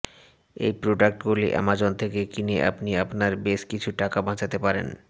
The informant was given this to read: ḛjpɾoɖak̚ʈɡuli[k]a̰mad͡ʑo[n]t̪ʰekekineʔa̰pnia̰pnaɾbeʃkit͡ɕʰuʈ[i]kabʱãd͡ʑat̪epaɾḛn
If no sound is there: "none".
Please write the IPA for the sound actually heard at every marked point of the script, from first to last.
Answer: ʔ, n, a

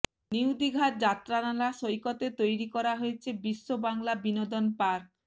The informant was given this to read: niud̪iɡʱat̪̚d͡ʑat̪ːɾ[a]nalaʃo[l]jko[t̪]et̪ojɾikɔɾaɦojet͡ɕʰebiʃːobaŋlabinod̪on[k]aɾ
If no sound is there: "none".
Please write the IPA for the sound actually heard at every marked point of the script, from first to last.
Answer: a, none, t̪, p

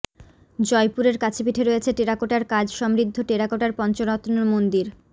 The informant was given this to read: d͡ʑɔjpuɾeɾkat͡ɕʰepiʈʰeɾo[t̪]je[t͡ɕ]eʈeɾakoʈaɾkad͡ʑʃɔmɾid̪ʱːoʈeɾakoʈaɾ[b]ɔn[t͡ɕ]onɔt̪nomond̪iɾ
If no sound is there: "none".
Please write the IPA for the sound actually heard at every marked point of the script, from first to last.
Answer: none, t͡ɕʰ, p, t͡ɕ

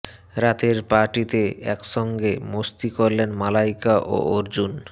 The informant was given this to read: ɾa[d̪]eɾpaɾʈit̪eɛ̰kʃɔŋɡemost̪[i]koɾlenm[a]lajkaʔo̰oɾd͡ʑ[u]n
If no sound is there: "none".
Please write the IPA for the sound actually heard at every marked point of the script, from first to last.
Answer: t̪, i, a, u

